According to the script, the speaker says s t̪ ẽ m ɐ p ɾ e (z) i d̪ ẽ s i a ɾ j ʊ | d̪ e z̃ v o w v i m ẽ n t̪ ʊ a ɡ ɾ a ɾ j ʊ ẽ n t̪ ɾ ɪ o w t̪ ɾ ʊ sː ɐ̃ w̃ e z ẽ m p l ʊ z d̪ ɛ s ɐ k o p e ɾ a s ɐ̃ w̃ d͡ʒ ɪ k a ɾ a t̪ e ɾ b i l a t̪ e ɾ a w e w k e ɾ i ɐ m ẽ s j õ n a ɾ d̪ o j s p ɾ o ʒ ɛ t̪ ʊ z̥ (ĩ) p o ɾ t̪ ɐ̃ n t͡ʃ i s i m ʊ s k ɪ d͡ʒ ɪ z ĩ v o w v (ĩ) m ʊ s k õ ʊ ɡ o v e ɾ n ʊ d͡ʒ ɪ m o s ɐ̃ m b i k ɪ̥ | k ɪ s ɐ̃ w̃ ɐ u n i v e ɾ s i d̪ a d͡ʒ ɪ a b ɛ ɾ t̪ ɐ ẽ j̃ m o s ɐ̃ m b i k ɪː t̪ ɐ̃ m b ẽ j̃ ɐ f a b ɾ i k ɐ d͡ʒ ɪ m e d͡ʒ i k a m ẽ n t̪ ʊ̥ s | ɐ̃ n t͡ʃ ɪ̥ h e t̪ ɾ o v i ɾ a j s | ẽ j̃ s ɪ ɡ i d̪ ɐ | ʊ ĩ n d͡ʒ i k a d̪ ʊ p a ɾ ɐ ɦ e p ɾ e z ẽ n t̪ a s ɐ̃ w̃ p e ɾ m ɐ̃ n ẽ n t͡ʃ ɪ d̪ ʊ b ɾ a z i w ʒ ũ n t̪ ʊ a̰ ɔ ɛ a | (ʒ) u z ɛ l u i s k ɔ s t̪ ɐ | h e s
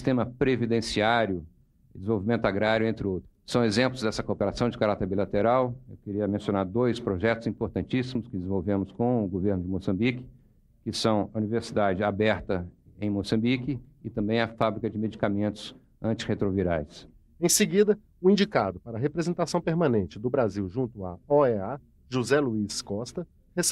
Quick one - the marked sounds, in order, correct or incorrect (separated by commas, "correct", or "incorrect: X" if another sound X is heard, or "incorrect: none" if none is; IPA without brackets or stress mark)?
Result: incorrect: v, correct, incorrect: ẽ, correct